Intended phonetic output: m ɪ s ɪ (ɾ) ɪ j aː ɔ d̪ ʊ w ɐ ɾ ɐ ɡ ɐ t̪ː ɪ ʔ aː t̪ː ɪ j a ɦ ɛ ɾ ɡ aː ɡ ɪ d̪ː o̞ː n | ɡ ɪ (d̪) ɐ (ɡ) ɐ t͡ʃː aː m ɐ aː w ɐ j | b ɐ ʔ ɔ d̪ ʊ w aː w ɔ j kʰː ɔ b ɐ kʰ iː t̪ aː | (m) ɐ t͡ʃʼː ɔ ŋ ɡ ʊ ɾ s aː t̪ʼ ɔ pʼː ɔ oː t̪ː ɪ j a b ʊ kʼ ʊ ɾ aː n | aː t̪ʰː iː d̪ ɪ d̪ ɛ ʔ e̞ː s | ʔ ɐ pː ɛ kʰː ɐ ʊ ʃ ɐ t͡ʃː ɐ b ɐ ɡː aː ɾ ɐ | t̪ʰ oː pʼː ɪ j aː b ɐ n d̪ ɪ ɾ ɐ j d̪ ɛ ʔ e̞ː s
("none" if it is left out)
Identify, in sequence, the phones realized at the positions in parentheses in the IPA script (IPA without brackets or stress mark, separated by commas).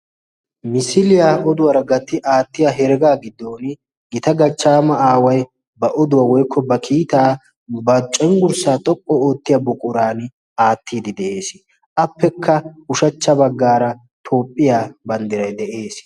l, t̪, ɡ, b